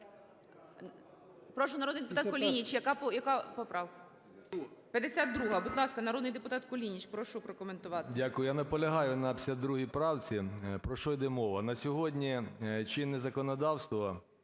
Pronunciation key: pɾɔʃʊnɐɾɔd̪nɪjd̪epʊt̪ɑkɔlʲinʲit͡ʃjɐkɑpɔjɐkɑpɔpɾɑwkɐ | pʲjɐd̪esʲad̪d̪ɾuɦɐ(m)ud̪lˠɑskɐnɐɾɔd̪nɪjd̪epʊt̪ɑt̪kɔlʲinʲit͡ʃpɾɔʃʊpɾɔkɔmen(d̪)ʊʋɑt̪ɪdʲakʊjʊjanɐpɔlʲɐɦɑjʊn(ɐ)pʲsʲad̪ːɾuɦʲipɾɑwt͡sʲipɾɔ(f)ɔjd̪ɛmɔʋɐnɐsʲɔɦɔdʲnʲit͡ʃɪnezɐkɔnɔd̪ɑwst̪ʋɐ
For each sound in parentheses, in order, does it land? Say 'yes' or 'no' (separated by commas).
no, no, yes, no